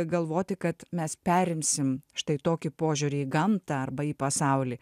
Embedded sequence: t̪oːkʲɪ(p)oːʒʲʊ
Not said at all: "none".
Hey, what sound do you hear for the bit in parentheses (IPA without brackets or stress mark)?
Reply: p